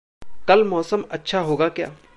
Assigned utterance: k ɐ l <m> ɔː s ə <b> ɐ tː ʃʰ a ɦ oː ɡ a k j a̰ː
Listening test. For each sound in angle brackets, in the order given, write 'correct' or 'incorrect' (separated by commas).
correct, incorrect